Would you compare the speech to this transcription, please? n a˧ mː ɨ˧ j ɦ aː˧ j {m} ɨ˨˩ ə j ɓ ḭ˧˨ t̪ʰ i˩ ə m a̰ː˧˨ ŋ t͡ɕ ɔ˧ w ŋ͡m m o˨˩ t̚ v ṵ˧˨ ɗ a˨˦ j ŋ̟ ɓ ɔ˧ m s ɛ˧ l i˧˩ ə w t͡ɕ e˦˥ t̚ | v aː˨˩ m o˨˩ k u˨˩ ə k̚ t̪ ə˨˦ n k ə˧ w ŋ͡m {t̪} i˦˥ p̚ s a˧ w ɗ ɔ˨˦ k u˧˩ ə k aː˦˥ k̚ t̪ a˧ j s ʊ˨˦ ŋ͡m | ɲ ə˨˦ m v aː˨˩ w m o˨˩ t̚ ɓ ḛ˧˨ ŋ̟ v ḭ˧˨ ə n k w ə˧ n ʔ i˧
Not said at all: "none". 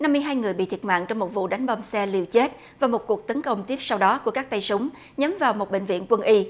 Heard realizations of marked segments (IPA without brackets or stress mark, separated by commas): ŋ, t̪